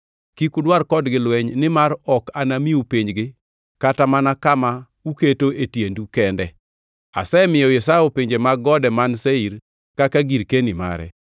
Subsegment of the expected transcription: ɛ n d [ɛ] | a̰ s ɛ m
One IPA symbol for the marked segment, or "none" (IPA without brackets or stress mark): ɛ